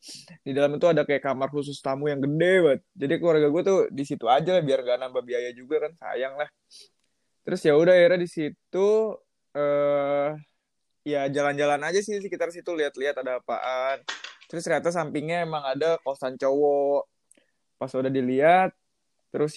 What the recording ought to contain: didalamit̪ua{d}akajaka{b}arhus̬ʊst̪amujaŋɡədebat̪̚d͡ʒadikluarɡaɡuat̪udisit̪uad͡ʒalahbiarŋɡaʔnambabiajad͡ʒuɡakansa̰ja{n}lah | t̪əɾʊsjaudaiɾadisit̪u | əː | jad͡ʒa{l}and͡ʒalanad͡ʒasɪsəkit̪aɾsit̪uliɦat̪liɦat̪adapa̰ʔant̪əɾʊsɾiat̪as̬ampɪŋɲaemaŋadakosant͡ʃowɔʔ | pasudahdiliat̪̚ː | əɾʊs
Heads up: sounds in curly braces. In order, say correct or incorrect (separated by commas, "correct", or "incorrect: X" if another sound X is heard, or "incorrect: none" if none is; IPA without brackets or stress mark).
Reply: correct, incorrect: m, incorrect: ŋ, correct